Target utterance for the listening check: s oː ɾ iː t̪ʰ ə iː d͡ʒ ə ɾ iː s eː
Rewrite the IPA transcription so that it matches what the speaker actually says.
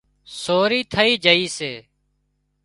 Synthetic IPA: s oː ɾ iː t̪ʰ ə iː d͡ʒ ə iː s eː